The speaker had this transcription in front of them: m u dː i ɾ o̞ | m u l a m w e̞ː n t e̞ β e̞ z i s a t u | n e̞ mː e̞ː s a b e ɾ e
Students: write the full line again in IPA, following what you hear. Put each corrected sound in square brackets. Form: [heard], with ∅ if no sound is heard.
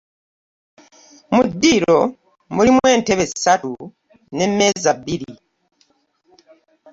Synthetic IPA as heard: m u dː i ɾ o̞ | m u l [i] m w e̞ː n t e̞ β e̞ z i s a t u | n e̞ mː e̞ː [z] a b [i] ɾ [i]